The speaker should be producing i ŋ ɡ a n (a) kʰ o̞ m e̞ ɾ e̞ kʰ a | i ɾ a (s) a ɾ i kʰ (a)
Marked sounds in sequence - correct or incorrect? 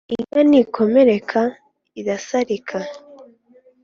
incorrect, correct, correct

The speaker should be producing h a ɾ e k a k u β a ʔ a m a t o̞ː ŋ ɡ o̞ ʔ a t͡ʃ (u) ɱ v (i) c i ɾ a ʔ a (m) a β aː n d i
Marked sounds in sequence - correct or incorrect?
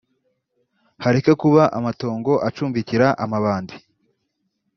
incorrect, correct, correct

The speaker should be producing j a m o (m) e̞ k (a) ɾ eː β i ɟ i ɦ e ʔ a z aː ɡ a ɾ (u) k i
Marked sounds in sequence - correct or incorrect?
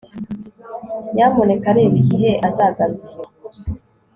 incorrect, correct, correct

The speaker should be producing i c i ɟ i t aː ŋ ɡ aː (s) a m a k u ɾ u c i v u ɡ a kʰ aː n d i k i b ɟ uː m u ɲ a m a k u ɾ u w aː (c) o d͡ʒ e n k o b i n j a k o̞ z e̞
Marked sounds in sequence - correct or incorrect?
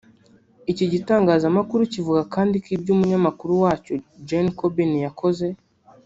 incorrect, correct

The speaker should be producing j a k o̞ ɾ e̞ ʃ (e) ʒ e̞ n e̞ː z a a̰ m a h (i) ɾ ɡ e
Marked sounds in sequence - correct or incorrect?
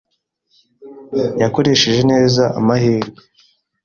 correct, incorrect

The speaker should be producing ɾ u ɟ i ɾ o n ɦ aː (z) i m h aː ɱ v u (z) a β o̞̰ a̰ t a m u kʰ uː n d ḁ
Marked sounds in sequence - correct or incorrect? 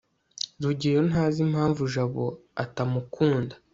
correct, incorrect

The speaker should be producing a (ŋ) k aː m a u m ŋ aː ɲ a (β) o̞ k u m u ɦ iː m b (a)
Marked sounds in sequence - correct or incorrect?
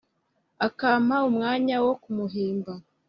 incorrect, incorrect, correct

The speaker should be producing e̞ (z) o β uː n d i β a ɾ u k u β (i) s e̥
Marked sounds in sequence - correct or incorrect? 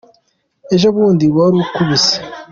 incorrect, correct

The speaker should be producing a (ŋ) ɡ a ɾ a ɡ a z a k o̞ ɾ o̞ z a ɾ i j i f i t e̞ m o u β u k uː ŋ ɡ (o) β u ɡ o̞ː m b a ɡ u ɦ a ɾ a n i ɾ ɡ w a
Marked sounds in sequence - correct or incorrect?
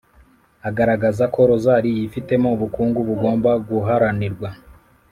incorrect, incorrect

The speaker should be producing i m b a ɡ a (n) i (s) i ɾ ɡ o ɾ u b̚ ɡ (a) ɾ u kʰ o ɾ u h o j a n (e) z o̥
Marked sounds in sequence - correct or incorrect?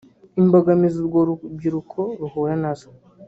incorrect, incorrect, incorrect, incorrect

